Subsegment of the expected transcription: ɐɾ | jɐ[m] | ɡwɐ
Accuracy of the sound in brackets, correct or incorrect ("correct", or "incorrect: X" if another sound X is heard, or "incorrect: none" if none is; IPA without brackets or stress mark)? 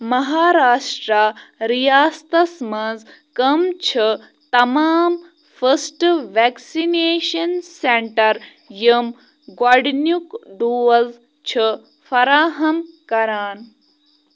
correct